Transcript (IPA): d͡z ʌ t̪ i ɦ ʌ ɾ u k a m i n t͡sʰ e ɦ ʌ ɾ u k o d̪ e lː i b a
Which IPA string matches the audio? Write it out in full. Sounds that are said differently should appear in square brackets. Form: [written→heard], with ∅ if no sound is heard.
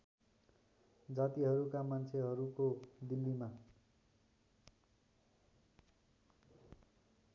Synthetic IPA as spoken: d͡z [ʌ→a] t̪ i ɦ ʌ ɾ u k a m [i→a] n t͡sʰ e ɦ ʌ ɾ u k o d̪ [e→i] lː i [b→m] a